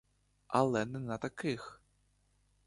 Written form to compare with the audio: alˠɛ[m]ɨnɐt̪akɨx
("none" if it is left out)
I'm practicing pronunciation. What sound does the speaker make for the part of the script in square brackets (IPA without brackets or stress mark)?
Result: n